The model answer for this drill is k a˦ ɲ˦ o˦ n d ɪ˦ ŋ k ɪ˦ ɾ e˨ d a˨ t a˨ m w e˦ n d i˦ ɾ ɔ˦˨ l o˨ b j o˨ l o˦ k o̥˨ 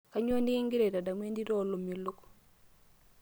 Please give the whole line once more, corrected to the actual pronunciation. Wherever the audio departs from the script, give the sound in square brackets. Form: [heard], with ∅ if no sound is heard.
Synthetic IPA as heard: k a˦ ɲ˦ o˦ n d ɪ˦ ŋ [ɡ] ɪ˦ ɾ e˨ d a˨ [d] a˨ m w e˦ n d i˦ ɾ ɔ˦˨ l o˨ [m] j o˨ l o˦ k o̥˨